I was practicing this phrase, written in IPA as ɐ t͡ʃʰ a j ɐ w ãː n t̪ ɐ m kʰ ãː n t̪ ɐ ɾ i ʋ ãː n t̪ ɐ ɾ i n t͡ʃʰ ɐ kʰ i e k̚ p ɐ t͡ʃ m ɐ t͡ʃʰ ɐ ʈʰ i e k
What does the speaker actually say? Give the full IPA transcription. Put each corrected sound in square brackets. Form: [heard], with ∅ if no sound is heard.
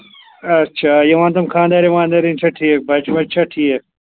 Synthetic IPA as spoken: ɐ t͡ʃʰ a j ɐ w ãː n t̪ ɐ m kʰ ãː n [d̪] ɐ ɾ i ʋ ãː n [d̪] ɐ ɾ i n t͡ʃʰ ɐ [ʈʰ] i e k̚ [b] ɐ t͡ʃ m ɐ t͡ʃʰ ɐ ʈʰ i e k